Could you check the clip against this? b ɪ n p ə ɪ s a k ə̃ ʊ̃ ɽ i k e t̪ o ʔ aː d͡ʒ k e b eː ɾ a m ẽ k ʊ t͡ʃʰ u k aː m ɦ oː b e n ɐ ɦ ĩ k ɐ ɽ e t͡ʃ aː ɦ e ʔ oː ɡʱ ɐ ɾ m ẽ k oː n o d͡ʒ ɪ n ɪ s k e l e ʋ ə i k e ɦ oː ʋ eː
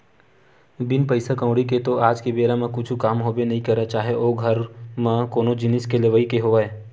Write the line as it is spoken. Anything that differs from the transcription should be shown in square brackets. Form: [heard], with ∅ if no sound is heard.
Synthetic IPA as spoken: b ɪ n p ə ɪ s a k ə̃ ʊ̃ ɽ i k e t̪ o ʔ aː d͡ʒ k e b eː ɾ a m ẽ k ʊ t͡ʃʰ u k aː m ɦ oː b e n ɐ ɦ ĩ k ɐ [ɾ] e t͡ʃ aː ɦ e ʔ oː ɡʱ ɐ ɾ m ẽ k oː n o d͡ʒ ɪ n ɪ s k e l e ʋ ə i k e ɦ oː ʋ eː

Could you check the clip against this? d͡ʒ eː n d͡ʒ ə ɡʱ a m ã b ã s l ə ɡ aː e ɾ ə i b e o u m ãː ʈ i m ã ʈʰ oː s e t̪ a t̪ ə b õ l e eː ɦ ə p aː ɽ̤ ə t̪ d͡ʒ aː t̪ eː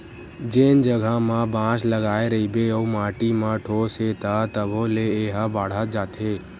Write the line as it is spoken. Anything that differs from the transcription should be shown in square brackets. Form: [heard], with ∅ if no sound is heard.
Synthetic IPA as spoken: d͡ʒ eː n d͡ʒ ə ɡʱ a m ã b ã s l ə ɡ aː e ɾ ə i b e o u m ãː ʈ i m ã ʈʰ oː s e t̪ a t̪ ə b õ l e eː ɦ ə [b] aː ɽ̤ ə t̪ d͡ʒ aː t̪ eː

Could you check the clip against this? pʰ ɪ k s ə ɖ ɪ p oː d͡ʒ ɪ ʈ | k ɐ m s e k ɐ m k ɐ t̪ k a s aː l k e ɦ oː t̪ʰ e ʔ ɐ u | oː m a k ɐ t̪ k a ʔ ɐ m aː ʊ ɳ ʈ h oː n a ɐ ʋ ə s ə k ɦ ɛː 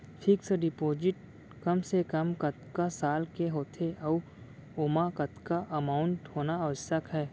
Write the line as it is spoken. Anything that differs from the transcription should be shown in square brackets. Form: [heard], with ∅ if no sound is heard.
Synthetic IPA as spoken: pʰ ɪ k s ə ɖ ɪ p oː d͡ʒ ɪ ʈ | k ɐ m s e k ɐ m k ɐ t̪ k a s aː l k e ɦ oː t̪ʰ e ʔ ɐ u | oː m a k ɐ t̪ k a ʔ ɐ m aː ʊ ɳ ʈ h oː n a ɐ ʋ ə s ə k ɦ ɛː

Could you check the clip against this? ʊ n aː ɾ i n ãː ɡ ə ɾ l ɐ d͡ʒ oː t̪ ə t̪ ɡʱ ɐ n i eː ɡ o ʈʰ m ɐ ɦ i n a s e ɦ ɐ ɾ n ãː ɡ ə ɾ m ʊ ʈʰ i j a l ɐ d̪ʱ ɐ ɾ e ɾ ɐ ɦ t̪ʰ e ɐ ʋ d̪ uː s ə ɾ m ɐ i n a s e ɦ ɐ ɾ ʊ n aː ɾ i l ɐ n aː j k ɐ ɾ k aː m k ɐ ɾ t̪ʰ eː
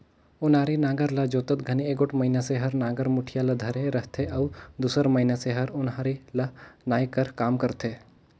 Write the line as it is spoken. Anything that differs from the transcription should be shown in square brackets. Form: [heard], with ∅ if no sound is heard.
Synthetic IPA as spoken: ʊ n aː ɾ i n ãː ɡ ə ɾ l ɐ d͡ʒ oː t̪ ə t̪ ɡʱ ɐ n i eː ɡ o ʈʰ m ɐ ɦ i n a s e ɦ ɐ ɾ n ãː ɡ ə ɾ m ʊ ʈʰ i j a l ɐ d̪ʱ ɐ ɾ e ɾ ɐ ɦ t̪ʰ e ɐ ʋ d̪ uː s ə ɾ m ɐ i n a s e ɦ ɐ ɾ ʊ n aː ɾ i l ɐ n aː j k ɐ ɾ k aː m k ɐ ɾ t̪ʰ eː

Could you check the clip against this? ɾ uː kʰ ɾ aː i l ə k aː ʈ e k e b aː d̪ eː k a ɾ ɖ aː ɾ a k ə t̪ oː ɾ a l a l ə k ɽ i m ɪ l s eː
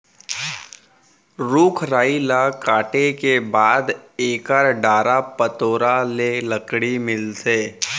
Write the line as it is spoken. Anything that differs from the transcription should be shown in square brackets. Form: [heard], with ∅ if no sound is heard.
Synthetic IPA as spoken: ɾ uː kʰ ɾ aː i l [a] k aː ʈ e k e b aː d̪ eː k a ɾ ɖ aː ɾ a [p] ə t̪ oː ɾ a l [e] l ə k ɽ i m ɪ l s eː

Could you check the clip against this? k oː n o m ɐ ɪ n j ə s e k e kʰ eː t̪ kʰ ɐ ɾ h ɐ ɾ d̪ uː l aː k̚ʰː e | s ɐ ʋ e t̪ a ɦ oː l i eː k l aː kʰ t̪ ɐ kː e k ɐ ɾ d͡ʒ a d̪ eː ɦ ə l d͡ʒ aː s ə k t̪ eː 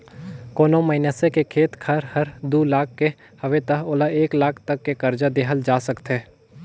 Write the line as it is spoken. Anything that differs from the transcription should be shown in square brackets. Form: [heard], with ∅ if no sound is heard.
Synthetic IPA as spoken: k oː n o m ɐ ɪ n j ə s e k e kʰ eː t̪ kʰ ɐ ɾ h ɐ ɾ d̪ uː l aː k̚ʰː e | [h] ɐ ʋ e t̪ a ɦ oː l [a] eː k l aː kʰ t̪ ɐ kː e k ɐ ɾ d͡ʒ a d̪ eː ɦ ə l d͡ʒ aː s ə k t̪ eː

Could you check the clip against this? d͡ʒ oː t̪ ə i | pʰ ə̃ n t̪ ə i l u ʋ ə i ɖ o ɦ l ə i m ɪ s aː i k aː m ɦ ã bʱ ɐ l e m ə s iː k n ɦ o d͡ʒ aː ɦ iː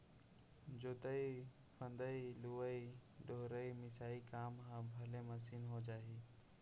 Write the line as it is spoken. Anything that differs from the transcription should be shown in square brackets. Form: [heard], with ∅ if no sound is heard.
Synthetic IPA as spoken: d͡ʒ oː t̪ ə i | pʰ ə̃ n [d̪] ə i l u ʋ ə i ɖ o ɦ [ɾ] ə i m ɪ s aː i k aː m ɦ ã bʱ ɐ l e m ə s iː [∅] n ɦ o d͡ʒ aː ɦ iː

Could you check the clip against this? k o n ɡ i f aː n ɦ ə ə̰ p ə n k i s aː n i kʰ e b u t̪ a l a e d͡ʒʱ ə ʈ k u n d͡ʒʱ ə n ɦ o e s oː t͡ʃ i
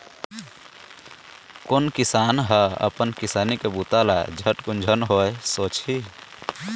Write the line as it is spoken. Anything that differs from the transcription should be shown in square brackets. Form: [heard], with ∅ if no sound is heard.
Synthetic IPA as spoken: k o n [k] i [s] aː n ɦ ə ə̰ p ə n k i s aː n i [k] e b u t̪ a l a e d͡ʒʱ ə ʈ k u n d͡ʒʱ ə n ɦ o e s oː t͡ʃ i

